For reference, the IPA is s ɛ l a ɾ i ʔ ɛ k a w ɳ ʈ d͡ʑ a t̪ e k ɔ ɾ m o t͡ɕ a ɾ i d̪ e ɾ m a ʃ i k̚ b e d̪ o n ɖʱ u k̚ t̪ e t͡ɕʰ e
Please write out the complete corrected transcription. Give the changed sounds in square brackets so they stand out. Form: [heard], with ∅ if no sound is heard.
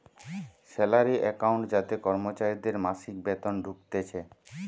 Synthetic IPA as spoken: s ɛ l a ɾ i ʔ ɛ k a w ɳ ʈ d͡ʑ a t̪ e k ɔ ɾ m o t͡ɕ a ɾ i d̪ e ɾ m a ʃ i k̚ b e [t̪] o n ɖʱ u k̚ t̪ e t͡ɕʰ e